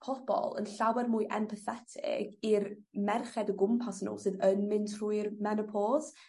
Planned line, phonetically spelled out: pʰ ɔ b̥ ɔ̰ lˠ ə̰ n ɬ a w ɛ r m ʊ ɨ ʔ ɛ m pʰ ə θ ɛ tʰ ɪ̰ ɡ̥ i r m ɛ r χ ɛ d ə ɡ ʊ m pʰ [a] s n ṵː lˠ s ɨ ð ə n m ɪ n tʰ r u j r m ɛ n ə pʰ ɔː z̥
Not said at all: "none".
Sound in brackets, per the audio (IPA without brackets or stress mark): a